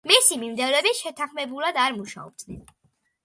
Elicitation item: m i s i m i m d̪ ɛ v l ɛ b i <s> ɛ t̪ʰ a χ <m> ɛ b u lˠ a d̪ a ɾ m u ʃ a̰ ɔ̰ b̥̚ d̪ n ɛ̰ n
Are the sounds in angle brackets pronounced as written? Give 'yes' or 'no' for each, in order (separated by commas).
no, yes